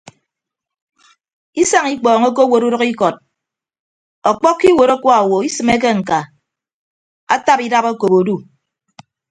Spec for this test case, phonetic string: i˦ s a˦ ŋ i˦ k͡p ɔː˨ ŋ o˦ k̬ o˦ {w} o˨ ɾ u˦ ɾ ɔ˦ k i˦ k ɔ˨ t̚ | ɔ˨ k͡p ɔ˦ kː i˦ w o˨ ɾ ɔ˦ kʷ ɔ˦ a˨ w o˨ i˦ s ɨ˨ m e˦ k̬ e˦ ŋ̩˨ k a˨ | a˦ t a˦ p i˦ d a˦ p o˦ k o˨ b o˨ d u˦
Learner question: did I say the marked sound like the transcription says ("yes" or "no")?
yes